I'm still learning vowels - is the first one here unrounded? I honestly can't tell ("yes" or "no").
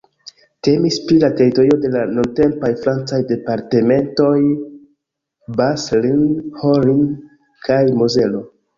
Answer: yes